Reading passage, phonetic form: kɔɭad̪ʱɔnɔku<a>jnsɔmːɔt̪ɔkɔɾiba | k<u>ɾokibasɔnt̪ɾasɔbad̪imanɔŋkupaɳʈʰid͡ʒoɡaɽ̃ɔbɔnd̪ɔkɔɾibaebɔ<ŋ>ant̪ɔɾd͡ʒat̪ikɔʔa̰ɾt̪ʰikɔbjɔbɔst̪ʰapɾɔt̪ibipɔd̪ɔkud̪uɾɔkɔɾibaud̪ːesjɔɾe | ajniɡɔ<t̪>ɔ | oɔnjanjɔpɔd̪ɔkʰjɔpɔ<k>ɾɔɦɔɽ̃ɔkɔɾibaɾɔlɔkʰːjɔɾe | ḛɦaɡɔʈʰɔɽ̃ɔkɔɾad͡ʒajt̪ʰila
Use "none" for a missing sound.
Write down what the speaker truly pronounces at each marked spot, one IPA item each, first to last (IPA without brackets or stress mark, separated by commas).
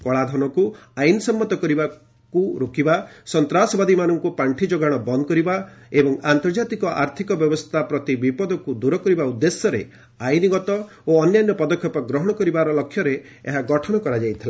a, u, ŋ, t̪, ɡ